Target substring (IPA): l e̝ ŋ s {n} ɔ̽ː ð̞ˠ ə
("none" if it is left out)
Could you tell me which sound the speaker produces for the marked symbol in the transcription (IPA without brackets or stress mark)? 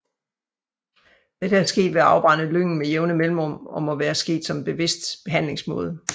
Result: m